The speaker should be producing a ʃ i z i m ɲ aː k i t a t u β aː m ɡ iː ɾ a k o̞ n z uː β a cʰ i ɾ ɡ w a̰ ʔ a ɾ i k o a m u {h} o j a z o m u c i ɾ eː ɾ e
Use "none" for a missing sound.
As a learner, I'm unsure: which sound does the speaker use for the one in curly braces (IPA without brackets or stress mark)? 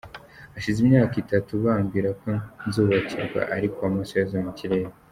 s